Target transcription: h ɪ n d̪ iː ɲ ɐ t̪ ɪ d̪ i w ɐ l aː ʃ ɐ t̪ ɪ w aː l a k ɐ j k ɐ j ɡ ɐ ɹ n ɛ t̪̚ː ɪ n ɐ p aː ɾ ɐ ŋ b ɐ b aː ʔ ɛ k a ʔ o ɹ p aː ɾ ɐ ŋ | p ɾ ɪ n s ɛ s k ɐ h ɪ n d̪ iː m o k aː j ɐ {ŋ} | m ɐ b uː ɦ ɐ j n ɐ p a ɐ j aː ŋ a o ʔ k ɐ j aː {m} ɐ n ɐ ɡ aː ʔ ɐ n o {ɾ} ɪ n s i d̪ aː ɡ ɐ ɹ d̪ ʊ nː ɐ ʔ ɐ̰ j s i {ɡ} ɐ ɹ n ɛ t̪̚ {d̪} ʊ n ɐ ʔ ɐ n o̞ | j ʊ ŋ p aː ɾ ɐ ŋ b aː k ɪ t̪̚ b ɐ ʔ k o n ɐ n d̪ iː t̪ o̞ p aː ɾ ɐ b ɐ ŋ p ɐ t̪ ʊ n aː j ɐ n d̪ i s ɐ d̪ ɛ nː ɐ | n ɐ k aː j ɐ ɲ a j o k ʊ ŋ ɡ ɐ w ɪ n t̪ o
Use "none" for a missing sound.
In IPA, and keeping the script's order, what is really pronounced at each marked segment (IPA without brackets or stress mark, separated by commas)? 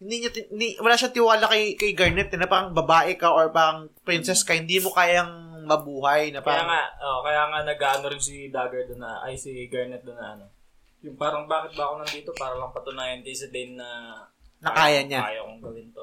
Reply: ŋ, ŋ, ɾ, ɡ, d̪